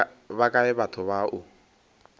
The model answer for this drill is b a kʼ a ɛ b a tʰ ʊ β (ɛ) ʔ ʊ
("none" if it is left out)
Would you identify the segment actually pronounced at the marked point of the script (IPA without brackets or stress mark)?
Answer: a